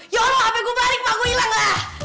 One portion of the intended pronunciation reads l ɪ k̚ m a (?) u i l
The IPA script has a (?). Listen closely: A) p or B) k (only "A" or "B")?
B